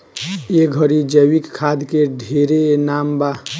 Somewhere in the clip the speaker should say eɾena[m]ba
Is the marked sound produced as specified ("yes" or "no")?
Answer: yes